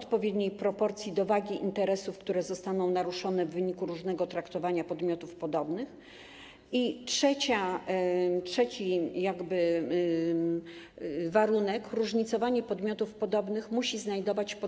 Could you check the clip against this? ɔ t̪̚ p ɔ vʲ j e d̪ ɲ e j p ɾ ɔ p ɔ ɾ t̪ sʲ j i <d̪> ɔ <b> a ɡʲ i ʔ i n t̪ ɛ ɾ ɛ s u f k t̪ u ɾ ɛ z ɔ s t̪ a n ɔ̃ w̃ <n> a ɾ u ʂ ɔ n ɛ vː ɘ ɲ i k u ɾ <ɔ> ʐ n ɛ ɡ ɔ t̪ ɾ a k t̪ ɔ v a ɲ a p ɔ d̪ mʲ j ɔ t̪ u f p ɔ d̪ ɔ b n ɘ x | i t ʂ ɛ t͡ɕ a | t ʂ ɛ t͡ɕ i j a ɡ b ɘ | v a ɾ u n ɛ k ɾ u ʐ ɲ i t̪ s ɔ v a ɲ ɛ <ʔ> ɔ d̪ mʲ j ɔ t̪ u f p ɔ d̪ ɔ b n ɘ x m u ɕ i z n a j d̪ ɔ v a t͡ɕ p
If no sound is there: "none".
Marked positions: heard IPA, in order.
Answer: d̪, v, n, u, p

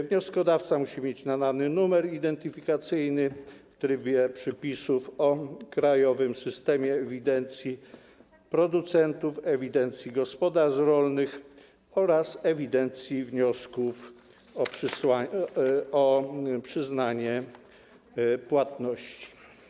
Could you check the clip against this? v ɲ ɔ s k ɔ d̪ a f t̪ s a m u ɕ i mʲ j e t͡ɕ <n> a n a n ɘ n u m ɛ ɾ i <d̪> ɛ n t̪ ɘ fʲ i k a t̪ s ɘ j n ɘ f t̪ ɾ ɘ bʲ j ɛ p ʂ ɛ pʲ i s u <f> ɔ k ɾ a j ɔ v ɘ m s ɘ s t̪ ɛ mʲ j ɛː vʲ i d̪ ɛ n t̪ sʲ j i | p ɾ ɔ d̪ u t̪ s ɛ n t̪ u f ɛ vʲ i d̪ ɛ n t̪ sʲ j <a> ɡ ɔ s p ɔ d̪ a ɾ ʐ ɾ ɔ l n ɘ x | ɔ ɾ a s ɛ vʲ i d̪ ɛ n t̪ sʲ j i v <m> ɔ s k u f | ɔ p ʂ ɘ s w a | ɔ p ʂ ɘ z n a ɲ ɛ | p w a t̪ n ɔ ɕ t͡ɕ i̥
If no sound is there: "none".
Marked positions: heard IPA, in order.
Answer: n, d̪, f, i, ɲ

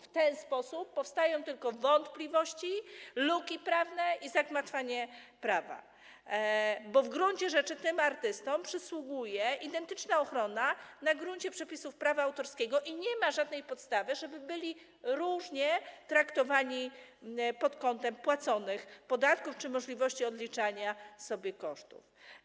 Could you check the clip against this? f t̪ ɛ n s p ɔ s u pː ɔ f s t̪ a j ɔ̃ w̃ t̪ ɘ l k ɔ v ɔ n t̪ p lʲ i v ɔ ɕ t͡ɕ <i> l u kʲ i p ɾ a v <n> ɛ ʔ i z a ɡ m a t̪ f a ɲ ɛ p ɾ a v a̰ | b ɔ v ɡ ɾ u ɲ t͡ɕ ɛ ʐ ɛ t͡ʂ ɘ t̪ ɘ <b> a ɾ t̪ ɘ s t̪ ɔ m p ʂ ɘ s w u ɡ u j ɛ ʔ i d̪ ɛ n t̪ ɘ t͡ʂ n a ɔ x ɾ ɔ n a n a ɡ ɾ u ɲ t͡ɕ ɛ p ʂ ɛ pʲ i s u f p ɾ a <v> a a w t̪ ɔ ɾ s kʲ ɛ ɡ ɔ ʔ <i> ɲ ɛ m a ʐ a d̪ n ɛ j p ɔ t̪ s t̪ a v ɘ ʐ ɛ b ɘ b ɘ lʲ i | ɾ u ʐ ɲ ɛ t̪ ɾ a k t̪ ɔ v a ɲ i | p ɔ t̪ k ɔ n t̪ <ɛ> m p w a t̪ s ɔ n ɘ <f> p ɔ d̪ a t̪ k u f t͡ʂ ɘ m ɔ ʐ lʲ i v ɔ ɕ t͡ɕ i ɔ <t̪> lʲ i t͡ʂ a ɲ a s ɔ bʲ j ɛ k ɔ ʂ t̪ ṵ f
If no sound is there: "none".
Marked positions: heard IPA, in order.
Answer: i, n, m, v, i, ɛ, x, d̪

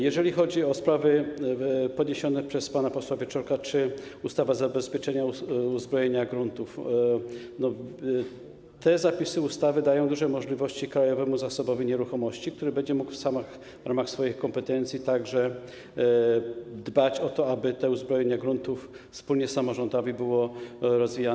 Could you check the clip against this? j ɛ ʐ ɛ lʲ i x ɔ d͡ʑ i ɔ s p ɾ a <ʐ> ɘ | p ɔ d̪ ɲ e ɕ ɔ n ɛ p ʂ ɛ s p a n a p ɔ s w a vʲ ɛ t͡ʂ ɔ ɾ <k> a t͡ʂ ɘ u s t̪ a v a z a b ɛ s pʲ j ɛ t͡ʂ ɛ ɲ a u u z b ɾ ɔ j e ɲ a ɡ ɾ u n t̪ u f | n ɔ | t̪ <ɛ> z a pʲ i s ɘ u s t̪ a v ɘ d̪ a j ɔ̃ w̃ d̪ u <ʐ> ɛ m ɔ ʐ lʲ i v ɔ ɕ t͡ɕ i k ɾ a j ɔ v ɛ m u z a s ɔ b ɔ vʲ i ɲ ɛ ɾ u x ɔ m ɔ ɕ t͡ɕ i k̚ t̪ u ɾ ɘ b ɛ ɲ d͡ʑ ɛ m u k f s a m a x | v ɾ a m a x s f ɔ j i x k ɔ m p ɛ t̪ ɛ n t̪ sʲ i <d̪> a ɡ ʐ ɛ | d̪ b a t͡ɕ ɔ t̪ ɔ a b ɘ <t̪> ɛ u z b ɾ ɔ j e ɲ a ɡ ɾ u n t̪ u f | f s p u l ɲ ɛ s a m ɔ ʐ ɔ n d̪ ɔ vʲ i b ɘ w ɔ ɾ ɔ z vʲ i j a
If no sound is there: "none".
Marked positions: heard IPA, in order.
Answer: v, k, ɛ, ʐ, t̪, t̪

